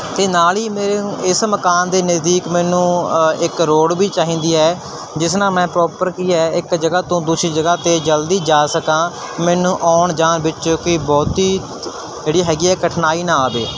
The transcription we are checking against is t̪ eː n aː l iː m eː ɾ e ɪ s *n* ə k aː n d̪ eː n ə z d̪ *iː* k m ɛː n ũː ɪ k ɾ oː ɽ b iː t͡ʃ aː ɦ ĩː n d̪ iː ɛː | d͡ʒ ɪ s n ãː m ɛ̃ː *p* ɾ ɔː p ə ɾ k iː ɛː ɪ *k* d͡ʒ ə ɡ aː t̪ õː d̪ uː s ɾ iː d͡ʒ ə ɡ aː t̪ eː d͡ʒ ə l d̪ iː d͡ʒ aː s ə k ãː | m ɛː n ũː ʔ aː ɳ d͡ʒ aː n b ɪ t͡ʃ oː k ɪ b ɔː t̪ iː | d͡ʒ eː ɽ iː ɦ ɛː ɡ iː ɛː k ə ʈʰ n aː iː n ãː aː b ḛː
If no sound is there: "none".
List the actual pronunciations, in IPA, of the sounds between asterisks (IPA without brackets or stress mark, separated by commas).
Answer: m, iː, p, k